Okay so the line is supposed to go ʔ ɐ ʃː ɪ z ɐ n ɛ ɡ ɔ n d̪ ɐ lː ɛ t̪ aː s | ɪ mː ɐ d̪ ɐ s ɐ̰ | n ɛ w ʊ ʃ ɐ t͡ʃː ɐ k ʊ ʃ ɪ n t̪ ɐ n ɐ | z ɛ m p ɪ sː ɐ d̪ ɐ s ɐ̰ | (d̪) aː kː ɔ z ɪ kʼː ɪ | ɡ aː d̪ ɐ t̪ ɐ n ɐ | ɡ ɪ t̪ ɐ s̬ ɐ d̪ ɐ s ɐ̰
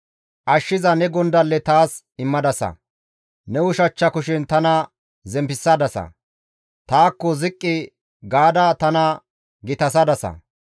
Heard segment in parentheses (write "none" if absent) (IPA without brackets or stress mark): t̪